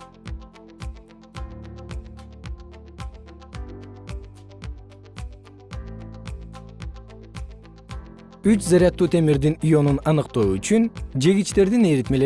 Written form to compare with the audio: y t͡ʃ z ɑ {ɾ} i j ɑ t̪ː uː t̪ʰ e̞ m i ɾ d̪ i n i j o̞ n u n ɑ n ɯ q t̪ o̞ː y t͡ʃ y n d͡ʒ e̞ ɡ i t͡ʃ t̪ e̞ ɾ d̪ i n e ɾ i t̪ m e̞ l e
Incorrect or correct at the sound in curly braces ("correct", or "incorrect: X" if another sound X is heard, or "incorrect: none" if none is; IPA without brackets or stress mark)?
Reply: correct